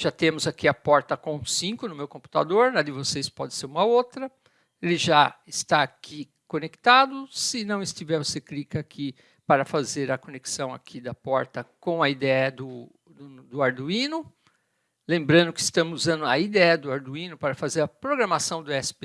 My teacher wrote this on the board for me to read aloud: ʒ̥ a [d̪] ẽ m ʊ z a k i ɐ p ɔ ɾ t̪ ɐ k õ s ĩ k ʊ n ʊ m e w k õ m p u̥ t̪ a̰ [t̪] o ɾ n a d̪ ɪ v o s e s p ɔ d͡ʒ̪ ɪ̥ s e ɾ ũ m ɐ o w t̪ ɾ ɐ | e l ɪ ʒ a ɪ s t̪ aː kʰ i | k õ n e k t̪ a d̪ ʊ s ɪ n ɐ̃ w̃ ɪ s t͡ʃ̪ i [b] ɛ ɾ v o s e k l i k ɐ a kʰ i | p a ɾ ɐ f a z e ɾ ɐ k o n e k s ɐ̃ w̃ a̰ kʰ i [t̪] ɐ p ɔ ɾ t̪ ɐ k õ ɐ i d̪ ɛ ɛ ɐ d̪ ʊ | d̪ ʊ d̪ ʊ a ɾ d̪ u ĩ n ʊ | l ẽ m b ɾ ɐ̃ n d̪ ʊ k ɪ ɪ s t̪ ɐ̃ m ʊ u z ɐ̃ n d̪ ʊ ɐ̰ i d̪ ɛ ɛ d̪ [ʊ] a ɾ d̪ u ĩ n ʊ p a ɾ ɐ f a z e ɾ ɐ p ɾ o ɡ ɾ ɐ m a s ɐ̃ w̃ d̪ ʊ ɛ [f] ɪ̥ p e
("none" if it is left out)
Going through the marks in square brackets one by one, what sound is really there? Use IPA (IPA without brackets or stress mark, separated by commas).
t̪, d̪, v, d̪, ʊ, s